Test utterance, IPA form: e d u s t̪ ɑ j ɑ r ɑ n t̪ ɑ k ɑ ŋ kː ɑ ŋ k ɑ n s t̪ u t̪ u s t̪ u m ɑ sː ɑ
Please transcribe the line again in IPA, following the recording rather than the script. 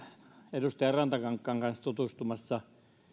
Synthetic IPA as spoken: e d u s t̪ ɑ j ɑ r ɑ n t̪ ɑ k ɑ ŋ kː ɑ ŋ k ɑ n s t̪ u t̪ u s t̪ u m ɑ sː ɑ